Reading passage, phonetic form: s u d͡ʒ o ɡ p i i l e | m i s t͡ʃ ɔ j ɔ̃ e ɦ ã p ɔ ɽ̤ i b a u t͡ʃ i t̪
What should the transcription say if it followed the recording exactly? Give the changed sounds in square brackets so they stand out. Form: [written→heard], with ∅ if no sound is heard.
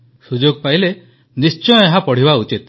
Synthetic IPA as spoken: s u d͡ʒ o ɡ p [i→a] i l e | [m→n] i s t͡ʃ ɔ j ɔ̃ e ɦ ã p ɔ ɽ̤ i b a u t͡ʃ i t̪